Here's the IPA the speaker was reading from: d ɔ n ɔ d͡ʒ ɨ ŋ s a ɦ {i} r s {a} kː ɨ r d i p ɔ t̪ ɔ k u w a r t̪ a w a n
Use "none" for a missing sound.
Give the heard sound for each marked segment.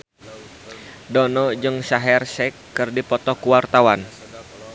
ɛ, ɛ

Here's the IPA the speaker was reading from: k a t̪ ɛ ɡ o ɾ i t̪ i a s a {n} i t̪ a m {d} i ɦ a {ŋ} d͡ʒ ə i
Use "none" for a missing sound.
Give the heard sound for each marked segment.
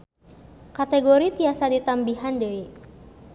d, b, n

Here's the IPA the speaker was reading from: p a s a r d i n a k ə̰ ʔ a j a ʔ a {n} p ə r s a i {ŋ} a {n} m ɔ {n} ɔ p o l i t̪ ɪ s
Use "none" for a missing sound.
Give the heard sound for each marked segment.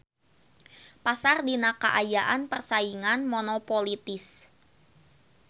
n, ŋ, n, n

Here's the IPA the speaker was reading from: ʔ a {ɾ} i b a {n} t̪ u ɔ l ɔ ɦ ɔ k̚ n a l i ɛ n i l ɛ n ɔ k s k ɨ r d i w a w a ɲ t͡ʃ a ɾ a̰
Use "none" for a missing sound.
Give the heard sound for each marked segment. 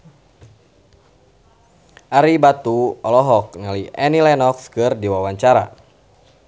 ɾ, none

